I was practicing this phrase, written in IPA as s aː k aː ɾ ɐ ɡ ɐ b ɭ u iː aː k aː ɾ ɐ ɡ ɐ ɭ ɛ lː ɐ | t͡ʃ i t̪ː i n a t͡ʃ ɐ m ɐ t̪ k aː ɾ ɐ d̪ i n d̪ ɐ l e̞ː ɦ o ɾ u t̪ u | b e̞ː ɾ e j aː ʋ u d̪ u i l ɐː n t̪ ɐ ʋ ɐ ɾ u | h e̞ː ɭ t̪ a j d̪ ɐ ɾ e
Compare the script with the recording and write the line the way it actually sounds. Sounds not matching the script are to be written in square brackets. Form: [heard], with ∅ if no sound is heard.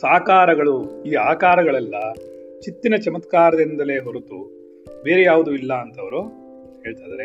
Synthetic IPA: s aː k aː ɾ ɐ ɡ ɐ [∅] ɭ u iː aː k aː ɾ ɐ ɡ ɐ ɭ ɛ lː ɐ | t͡ʃ i t̪ː i n [ɐ] t͡ʃ ɐ m ɐ t̪ k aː ɾ ɐ d̪ i n d̪ ɐ l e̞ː ɦ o ɾ u t̪ u | b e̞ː ɾ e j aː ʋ u d̪ u i [lː] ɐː n t̪ ɐ ʋ ɐ ɾ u | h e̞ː ɭ t̪ a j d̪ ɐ ɾ e